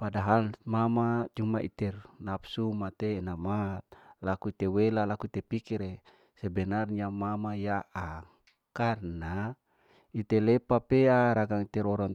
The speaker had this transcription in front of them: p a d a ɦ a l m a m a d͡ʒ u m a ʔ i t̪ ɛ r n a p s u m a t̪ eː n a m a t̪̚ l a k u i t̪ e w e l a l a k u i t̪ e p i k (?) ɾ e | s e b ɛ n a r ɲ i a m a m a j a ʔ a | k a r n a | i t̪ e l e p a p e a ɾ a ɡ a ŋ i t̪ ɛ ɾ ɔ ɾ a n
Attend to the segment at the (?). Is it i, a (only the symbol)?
i